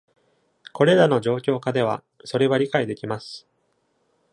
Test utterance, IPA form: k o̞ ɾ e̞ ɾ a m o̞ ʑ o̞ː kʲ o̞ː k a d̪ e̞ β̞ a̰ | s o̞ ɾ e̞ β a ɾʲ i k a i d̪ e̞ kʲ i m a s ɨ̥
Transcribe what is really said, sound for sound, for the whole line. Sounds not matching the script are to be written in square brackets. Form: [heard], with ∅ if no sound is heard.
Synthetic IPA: k o̞ ɾ e̞ ɾ a [n] o̞ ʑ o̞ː kʲ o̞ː k a d̪ e̞ β̞ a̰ | s o̞ ɾ e̞ β a ɾʲ i k a i d̪ e̞ kʲ i m a s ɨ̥

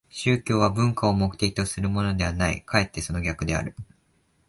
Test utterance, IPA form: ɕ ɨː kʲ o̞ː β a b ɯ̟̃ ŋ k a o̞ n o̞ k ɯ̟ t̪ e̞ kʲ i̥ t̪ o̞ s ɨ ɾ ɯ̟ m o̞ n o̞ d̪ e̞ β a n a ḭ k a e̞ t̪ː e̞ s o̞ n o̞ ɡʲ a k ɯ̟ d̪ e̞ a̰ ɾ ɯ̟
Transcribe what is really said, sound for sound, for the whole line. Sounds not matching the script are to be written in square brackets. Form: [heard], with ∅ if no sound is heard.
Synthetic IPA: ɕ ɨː kʲ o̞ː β a b ɯ̟̃ ŋ k a o̞ [m] o̞ k ɯ̟ t̪ e̞ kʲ i̥ t̪ o̞ s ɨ ɾ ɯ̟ m o̞ n o̞ d̪ e̞ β a n a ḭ k a e̞ t̪ː e̞ s o̞ n o̞ ɡʲ a k ɯ̟ d̪ e̞ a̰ ɾ ɯ̟

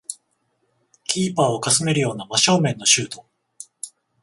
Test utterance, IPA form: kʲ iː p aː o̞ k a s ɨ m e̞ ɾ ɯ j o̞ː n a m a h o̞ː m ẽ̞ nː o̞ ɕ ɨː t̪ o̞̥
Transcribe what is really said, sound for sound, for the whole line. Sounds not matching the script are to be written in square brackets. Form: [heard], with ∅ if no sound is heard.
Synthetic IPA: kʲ iː p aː o̞ k a s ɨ m e̞ ɾ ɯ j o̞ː n a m a [ɕ] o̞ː m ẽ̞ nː o̞ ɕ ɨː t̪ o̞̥

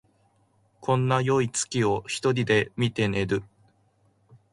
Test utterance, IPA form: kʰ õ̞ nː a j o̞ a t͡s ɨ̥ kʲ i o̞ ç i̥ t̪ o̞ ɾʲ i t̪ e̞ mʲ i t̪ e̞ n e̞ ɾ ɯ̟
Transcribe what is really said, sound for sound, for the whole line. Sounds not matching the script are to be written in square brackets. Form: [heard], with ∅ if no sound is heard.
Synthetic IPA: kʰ õ̞ nː a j o̞ [i] t͡s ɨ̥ kʲ i o̞ ç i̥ t̪ o̞ ɾʲ i [d̪] e̞ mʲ i t̪ e̞ n e̞ ɾ ɯ̟

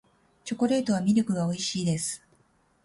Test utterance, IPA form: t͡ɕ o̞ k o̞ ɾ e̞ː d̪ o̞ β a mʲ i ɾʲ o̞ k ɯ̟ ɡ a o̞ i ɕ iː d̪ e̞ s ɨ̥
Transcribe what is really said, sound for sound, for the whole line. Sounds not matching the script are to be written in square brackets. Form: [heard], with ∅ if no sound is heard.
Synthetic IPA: t͡ɕ o̞ k o̞ ɾ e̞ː [t̪] o̞ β a mʲ i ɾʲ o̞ k ɯ̟ ɡ a o̞ i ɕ iː d̪ e̞ s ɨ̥

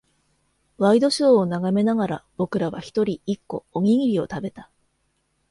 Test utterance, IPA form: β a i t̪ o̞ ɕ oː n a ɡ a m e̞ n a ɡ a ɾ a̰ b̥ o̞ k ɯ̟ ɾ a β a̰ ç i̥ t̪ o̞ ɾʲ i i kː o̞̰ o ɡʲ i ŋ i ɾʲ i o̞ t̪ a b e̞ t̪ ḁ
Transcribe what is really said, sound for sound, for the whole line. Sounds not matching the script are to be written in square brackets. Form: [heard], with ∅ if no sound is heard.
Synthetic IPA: β a i [d̪] o̞ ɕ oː n a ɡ a m e̞ n a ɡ a ɾ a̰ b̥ o̞ k ɯ̟ ɾ a β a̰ ç i̥ t̪ o̞ ɾʲ i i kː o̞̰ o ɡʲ i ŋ i ɾʲ i o̞ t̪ a b e̞ t̪ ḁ

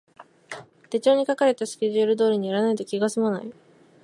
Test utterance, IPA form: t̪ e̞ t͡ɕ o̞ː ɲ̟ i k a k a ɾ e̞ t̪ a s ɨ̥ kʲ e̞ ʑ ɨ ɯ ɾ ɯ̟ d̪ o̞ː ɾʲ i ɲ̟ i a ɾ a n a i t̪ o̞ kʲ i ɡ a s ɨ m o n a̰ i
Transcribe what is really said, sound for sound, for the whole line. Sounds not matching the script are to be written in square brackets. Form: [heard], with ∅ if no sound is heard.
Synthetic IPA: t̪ e̞ t͡ɕ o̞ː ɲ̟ i k a k a ɾ e̞ t̪ a s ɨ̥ kʲ e̞ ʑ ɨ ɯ ɾ ɯ̟ d̪ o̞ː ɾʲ i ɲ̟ i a ɾ a n a i t̪ o̞ kʲ i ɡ a s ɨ m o n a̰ i

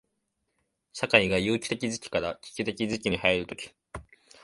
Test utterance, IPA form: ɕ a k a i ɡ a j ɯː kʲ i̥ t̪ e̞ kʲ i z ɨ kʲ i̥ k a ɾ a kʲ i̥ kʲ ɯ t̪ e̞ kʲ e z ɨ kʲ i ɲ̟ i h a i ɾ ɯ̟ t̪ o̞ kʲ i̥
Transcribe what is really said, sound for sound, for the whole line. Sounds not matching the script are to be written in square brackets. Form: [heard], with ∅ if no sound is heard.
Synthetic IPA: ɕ a k a i ɡ a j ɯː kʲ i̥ t̪ e̞ kʲ i z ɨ kʲ i̥ k a ɾ a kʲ i̥ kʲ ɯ t̪ e̞ kʲ [i] z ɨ kʲ i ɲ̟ i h a i ɾ ɯ̟ t̪ o̞ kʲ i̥

